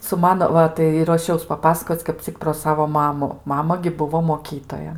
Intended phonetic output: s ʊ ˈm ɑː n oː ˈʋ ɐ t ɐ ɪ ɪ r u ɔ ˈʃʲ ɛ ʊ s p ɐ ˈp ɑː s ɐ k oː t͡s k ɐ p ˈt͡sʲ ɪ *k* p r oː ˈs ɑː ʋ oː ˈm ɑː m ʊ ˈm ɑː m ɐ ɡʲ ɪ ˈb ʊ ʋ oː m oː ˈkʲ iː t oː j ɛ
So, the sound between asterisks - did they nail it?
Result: yes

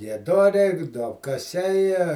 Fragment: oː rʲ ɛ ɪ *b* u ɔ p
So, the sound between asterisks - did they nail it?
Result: no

